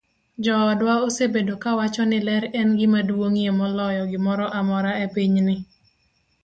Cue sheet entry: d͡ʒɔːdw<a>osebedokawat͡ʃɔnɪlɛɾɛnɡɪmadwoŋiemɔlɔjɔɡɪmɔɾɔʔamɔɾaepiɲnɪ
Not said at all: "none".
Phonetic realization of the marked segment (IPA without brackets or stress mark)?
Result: a